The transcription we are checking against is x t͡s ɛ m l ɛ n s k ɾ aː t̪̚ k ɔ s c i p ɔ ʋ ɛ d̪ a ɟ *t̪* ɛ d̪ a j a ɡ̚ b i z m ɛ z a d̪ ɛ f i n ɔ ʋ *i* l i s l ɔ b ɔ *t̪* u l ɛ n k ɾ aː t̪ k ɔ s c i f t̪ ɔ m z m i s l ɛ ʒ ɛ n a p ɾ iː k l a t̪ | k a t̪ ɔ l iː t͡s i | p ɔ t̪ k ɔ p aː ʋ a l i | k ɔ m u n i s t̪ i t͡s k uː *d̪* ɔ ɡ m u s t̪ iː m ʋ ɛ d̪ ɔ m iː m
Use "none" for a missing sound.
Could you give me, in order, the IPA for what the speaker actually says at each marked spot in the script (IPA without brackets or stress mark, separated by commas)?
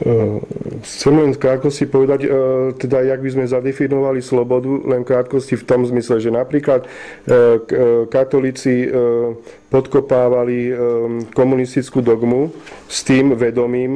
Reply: t̪, a, d̪, d̪